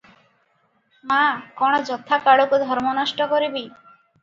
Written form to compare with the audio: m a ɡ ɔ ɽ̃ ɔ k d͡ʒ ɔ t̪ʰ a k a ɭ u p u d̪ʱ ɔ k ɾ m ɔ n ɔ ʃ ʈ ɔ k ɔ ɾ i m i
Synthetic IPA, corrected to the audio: m a k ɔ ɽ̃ ɔ d͡ʒ ɔ t̪ʰ a k a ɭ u k u d̪ʱ ɔ ɾ m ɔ n ɔ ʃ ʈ ɔ k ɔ ɾ i b i